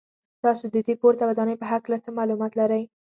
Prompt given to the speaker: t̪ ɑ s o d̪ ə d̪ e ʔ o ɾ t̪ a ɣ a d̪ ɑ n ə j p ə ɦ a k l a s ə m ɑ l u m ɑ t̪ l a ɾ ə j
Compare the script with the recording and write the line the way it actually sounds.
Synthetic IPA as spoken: t̪ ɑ s o d̪ ə d̪ e p o ɾ t̪ a w a d̪ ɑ n ə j p ə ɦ a k l a t͡s ə m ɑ l u m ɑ t̪ l a ɾ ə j